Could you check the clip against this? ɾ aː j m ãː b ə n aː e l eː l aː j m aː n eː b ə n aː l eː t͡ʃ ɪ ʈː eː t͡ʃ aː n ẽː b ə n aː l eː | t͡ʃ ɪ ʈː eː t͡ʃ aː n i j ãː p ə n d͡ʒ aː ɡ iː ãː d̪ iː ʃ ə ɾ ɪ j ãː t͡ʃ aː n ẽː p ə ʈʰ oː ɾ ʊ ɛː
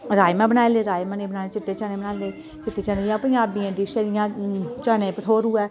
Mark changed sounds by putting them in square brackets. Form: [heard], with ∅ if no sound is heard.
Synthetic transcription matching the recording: ɾ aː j m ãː b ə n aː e l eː [ɾ] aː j m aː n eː b ə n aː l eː t͡ʃ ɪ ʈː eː t͡ʃ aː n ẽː b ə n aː l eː | t͡ʃ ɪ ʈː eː t͡ʃ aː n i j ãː p ə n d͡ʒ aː [b] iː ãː d̪ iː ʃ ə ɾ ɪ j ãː t͡ʃ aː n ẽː p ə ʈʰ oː ɾ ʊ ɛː